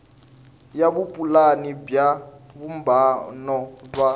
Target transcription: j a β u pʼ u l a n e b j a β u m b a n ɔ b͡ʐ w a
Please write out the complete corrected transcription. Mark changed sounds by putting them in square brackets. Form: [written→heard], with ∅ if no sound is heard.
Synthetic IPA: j a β u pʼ u l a n [e→i] b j a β u m b a n ɔ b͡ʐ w a